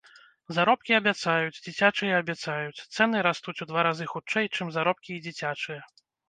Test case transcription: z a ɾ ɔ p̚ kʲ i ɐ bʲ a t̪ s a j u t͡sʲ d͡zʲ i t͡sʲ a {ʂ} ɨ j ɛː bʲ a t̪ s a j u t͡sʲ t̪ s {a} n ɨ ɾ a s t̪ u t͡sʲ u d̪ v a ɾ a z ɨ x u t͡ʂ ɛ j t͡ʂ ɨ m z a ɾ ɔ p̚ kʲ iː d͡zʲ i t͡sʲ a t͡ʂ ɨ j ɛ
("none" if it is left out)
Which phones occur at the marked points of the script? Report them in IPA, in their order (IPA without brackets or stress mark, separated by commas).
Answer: t͡ʂ, ɛ